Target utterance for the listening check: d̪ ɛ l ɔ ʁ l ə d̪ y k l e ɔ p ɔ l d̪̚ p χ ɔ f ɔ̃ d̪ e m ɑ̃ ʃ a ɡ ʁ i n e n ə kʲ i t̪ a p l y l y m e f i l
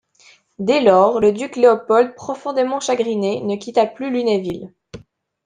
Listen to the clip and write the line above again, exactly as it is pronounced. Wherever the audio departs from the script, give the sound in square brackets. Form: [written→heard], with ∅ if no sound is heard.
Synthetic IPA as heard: d̪ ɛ l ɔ ʁ l ə d̪ y k l e ɔ p ɔ l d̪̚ p χ ɔ f ɔ̃ d̪ e m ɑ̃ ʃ a ɡ ʁ i n e n ə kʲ i t̪ a p l y l y [m→n] e [f→v] i l